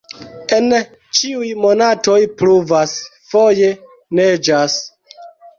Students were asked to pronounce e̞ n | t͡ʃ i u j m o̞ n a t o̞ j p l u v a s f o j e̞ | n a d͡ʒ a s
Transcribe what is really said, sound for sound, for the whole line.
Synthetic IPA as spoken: e̞ n | t͡ʃ i u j m o̞ n a t o̞ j p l u v a s f o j e̞ | n e d͡ʒ a s